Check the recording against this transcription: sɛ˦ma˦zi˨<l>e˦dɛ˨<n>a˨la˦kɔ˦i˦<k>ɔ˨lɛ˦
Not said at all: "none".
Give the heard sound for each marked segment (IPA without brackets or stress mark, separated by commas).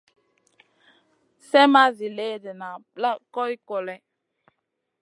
l, n, k